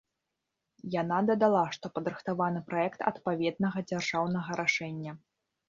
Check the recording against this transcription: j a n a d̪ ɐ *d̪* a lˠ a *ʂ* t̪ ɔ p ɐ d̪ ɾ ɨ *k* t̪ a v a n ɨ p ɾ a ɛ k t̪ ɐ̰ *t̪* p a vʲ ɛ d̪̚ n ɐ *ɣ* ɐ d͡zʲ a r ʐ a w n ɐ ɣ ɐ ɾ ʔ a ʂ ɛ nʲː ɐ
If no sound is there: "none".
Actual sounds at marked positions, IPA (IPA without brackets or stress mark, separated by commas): d̪, ʂ, x, t̪, ɣ